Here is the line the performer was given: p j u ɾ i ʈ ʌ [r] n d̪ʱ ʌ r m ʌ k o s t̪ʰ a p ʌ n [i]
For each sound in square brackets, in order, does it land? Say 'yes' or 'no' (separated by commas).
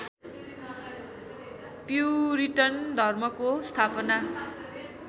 yes, no